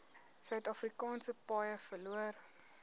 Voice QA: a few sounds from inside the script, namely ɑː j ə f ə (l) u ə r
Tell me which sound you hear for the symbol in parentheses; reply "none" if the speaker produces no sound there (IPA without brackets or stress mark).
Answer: l